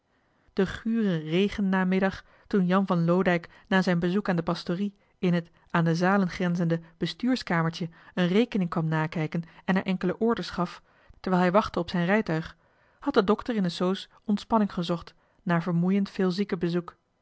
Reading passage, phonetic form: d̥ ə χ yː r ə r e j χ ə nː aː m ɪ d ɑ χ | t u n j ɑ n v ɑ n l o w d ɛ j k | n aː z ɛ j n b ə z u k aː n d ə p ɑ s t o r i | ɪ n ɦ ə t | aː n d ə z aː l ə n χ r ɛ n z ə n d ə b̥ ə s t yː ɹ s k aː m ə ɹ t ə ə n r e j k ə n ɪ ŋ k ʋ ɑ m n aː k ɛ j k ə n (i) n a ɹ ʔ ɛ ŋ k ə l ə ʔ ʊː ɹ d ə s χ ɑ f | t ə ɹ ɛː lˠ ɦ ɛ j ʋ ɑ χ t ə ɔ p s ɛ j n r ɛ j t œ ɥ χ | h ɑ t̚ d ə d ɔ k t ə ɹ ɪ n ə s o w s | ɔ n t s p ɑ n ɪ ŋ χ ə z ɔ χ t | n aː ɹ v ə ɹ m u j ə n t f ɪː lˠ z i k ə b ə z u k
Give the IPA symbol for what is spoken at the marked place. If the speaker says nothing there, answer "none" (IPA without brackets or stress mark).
ɛ